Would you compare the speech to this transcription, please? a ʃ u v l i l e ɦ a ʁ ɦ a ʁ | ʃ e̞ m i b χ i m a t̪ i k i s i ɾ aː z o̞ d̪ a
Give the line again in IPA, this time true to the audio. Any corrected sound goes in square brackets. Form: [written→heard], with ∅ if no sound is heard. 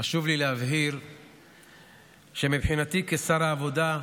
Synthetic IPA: a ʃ u v l i l e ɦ a [ʁ→v] ɦ [a→i] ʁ | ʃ e̞ m i b [χ→ħ] i [m→n] a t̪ i k [i→e] s [i→a] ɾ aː [z→v] o̞ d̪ a